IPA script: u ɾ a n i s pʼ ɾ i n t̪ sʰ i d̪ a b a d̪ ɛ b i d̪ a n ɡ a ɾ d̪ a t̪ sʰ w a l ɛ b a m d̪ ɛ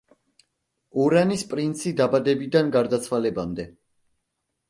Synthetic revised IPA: u ɾ a n i s pʼ ɾ i n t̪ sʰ i d̪ a b a d̪ ɛ b i d̪ a n ɡ a ɾ d̪ a t̪ sʰ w a l ɛ b a m d̪ ɛ